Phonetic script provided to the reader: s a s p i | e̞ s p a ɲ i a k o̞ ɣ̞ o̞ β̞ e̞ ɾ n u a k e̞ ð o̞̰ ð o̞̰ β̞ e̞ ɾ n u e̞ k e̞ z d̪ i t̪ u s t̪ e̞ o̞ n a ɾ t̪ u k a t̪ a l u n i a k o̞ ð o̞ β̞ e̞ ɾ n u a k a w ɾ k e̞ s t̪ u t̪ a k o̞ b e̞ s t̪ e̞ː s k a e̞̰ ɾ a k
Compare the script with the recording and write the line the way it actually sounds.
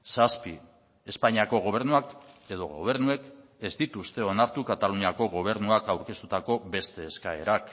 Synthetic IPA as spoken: s a s p i | e̞ s p a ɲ i a k o̞ ɣ̞ o̞ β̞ e̞ ɾ n u a k e̞ ð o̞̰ ɣ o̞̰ β̞ e̞ ɾ n u e̞ k e̞ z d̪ i t̪ u s t̪ e̞ o̞ n a ɾ t̪ u k a t̪ a l u n i a k o̞ ɣ o̞ β̞ e̞ ɾ n u a k a w ɾ k e̞ s t̪ u t̪ a k o̞ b e̞ s t̪ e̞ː s k a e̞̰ ɾ a k